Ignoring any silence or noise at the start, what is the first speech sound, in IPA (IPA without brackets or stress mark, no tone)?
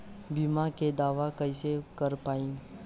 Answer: b